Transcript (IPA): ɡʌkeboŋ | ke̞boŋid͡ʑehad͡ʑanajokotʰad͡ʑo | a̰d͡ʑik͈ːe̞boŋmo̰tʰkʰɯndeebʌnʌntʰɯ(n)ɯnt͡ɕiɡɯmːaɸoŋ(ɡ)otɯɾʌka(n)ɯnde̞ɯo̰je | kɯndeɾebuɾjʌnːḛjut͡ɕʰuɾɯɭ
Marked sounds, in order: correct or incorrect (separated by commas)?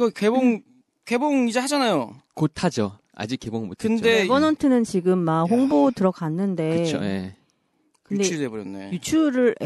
correct, incorrect, incorrect